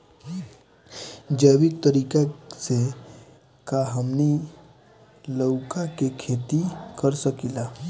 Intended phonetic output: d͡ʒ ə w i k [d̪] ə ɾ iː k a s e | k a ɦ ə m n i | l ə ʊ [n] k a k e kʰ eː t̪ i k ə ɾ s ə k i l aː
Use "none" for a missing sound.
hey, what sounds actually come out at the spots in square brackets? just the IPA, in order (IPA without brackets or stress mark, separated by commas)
t̪, none